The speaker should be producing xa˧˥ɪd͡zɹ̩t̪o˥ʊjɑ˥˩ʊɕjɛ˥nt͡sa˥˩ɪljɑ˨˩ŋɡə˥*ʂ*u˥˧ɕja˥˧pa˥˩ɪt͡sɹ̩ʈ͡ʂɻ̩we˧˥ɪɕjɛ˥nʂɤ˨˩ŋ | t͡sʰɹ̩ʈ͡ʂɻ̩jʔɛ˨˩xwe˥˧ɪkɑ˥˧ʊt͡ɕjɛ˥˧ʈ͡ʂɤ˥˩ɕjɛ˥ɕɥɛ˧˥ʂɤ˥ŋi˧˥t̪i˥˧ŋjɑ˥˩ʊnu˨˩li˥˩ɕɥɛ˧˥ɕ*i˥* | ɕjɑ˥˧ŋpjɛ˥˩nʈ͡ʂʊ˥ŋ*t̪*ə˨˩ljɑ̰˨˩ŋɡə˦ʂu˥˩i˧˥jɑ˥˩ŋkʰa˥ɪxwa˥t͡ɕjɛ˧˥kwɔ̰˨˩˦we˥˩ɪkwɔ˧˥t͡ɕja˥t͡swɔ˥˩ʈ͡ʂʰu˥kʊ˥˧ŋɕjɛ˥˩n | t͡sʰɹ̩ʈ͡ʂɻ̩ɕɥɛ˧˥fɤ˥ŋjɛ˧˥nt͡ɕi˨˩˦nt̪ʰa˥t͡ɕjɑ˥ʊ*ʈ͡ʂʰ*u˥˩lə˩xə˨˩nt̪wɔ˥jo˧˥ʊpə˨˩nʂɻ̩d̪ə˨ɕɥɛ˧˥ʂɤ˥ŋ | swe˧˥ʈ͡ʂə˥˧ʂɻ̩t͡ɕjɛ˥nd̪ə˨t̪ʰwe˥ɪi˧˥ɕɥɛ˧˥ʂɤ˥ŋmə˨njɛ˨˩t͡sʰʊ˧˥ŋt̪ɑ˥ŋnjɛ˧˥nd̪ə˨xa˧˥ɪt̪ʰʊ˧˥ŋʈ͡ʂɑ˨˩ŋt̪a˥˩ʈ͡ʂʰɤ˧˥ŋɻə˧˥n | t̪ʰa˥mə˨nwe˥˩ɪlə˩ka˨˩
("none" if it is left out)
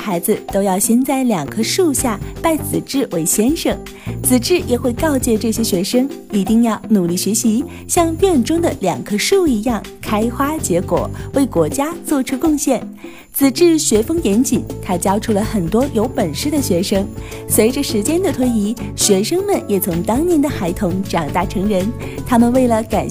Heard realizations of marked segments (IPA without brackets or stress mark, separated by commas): ʂ, i˧˥, d̪, ʈ͡ʂʰ